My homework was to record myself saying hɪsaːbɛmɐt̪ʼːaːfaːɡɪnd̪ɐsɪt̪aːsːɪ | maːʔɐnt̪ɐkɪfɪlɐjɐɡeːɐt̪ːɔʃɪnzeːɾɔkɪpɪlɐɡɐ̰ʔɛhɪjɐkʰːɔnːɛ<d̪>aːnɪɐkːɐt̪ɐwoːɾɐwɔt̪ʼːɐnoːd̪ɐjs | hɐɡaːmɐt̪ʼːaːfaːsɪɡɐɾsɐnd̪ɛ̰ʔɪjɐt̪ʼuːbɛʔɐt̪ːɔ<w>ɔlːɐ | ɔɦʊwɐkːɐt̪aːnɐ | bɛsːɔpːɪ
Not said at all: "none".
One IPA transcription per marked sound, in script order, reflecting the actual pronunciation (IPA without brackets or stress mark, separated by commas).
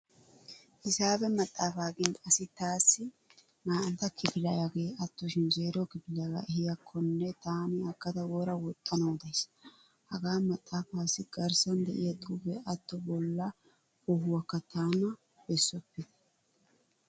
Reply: t̪, b